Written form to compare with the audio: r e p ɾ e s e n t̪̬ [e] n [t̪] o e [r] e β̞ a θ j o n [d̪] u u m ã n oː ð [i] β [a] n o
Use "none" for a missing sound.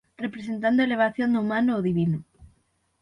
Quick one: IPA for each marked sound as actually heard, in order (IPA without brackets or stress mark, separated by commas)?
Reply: a, d̪, l, d̪, i, i